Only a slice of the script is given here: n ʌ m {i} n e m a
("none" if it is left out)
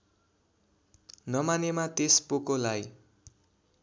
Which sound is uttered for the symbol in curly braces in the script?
a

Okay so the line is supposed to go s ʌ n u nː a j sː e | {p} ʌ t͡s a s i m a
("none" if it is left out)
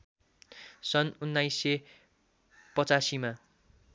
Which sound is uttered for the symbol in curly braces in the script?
p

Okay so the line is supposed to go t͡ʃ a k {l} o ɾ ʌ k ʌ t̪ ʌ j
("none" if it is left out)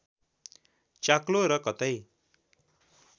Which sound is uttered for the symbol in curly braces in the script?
l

